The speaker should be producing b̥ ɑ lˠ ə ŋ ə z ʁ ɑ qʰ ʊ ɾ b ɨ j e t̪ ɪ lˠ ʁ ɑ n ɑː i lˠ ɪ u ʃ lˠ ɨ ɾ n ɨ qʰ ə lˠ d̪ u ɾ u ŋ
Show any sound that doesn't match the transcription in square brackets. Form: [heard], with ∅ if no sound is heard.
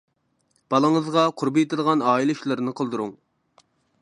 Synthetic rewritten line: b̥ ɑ lˠ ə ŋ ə z ʁ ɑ qʰ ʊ ɾ b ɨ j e t̪ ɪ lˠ ʁ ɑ n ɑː i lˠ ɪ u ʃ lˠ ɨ ɾ n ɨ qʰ ə lˠ d̪ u ɾ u ŋ